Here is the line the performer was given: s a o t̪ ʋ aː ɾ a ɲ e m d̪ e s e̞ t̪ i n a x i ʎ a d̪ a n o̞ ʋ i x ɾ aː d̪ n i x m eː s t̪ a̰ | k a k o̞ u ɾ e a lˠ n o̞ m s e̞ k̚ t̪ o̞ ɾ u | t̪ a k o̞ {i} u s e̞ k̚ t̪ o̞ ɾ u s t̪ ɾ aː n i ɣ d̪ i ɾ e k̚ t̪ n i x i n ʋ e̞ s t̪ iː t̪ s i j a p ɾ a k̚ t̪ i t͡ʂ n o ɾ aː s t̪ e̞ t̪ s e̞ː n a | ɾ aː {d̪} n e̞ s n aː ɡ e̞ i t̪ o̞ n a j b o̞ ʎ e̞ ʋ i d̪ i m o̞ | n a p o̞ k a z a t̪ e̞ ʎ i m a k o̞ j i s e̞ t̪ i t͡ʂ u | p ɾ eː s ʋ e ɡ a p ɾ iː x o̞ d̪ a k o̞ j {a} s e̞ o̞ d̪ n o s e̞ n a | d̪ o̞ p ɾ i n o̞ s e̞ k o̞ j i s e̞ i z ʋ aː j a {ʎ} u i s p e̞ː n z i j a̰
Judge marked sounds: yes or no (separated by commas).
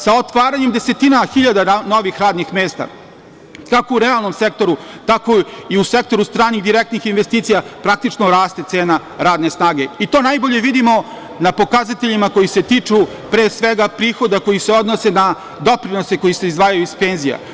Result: yes, yes, no, no